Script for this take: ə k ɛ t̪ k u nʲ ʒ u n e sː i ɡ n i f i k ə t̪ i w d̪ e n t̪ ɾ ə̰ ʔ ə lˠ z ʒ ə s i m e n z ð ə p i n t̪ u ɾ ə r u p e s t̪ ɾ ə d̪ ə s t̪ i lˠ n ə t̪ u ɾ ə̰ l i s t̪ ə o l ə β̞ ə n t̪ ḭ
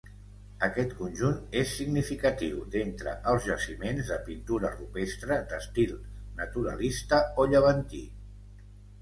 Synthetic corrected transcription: ə k ɛ t̪ k u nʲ ʒ u n e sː i ɡ n i f i k ə t̪ i w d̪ e n t̪ ɾ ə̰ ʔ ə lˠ z ʒ ə s i m e n z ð ə p i n t̪ u ɾ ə r u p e s t̪ ɾ ə d̪ ə s t̪ i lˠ n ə t̪ u ɾ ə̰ l i s t̪ ə o ʎ ə β̞ ə n t̪ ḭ